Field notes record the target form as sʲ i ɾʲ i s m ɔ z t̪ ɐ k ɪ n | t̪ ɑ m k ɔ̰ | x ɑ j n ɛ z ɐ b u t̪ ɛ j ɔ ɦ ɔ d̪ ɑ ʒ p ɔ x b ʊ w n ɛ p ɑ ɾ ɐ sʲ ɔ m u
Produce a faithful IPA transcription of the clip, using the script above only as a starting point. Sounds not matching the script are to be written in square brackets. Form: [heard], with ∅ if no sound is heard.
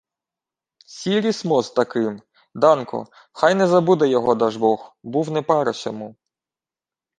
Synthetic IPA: sʲ i ɾʲ i s m ɔ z t̪ ɐ k ɪ [m] | [d̪] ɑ [n] k ɔ̰ | x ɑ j n ɛ z ɐ b u [d̪] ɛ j ɔ ɦ ɔ d̪ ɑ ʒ [b] ɔ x b [u] w n ɛ p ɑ ɾ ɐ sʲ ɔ m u